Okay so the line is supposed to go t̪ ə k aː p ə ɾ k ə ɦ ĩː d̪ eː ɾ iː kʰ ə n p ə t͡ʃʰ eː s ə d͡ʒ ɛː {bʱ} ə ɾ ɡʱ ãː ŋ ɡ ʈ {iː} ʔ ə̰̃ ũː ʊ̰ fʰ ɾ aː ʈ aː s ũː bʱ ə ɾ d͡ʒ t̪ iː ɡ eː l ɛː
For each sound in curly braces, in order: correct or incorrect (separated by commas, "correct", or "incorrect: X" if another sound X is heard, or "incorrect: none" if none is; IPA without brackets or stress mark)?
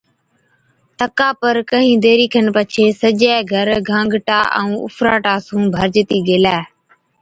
incorrect: ɡʱ, incorrect: aː